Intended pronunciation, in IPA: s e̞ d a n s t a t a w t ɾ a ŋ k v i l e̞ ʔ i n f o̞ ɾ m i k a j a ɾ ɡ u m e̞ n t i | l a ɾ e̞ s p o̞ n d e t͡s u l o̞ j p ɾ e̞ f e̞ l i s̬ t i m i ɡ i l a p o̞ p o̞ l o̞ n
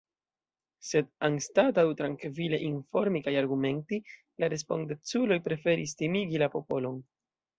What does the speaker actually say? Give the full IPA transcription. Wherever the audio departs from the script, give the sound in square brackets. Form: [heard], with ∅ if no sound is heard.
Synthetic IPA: s e̞ d a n s t a t a w t ɾ a ŋ k v i l e̞ ʔ i n f o̞ ɾ m i k a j a ɾ ɡ u m e̞ n t i | l a ɾ e̞ s p o̞ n d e t͡s u l o̞ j p ɾ e̞ f e̞ [ɾ] i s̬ t i m i ɡ i l a p o̞ p o̞ l o̞ n